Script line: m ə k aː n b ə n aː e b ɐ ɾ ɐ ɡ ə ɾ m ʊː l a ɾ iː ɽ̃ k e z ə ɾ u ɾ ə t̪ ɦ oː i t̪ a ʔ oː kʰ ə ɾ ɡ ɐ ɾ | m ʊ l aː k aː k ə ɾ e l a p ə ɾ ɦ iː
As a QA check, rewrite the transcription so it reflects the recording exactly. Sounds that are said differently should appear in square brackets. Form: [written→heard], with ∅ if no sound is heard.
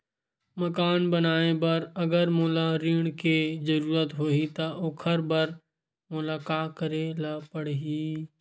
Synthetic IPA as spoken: m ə k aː n b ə n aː e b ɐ ɾ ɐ ɡ ə ɾ m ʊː l a ɾ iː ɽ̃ k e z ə ɾ [u→uː] ɾ ə t̪ ɦ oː i t̪ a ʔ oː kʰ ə ɾ [ɡ→b] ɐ ɾ | m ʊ l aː k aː k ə ɾ e l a p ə [ɾ→ɽ] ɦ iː